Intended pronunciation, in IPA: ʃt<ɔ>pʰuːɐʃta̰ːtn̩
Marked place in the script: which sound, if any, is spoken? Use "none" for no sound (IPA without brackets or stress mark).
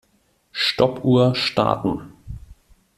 ɔ